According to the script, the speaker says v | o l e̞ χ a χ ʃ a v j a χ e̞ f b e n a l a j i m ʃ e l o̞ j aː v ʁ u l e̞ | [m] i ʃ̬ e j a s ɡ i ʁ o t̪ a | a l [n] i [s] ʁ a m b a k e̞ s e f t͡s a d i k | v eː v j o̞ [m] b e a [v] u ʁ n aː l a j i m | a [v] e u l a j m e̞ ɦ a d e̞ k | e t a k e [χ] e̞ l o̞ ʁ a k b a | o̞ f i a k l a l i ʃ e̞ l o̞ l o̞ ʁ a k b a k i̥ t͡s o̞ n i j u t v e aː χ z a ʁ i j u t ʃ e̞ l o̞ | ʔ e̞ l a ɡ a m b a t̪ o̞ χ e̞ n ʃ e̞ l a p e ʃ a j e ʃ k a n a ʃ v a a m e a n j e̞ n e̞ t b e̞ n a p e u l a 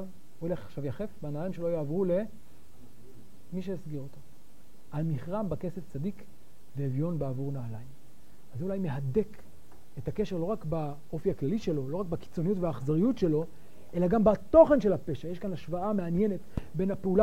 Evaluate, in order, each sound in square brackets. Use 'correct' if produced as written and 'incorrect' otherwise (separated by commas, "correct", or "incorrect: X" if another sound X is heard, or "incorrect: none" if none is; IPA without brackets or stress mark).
correct, incorrect: m, incorrect: χ, incorrect: n, correct, incorrect: z, incorrect: ʃ